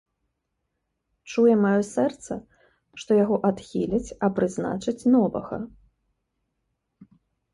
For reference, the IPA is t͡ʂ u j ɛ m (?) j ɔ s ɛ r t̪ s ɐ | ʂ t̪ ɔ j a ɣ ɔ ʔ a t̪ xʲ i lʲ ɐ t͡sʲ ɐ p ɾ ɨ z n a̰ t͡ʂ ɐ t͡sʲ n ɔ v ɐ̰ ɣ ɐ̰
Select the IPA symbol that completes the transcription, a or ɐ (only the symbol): a